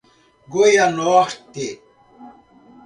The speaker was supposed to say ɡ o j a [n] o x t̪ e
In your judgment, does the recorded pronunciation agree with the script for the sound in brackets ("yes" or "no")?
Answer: yes